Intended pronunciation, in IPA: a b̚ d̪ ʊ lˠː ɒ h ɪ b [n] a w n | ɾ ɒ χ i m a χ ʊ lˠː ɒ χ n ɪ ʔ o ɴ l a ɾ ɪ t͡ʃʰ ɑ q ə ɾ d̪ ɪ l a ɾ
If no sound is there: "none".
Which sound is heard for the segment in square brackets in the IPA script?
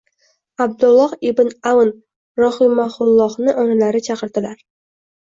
n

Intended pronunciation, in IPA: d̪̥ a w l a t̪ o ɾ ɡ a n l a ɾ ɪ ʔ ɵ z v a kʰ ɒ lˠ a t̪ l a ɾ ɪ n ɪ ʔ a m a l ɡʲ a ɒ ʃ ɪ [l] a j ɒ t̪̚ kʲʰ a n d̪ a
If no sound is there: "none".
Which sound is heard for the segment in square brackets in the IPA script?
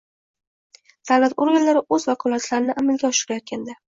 ɾ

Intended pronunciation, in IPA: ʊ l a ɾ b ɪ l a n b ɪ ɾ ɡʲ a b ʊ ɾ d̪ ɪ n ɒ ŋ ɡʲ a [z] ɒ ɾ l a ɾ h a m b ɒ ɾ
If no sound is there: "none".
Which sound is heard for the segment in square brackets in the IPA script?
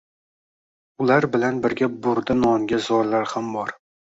z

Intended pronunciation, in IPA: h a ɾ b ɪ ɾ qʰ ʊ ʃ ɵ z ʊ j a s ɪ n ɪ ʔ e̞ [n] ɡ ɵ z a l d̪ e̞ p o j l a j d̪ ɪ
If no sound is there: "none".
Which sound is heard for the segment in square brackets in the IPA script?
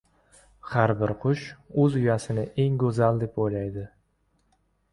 ŋ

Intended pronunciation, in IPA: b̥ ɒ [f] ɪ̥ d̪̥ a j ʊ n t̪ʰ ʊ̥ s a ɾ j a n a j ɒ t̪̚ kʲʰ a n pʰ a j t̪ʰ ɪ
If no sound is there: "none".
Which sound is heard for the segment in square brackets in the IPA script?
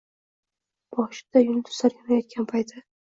ʃ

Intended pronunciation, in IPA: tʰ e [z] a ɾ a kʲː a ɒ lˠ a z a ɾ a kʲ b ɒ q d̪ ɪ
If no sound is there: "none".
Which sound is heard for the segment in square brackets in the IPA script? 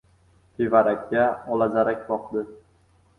v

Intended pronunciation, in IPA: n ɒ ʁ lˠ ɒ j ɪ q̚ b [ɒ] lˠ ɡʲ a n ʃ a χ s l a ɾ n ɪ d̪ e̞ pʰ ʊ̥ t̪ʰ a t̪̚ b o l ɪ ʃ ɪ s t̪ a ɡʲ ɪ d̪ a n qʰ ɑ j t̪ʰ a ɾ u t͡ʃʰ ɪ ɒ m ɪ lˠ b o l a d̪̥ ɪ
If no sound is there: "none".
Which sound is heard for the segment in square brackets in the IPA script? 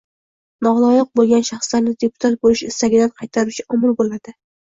o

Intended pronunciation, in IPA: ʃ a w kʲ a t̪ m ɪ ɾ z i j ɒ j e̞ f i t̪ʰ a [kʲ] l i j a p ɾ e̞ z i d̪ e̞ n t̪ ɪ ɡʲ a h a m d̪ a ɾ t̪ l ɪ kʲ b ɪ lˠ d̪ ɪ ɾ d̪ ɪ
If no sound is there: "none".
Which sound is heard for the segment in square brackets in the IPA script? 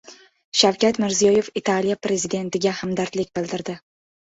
none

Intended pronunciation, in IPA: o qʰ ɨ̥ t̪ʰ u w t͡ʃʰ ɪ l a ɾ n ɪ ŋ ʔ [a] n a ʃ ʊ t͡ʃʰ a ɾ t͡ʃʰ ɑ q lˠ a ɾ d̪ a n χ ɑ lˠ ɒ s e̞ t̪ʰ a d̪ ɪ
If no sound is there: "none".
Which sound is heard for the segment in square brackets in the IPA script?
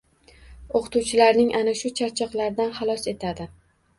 a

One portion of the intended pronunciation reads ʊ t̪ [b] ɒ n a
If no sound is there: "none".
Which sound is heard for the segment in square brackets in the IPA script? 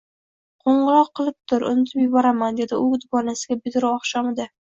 b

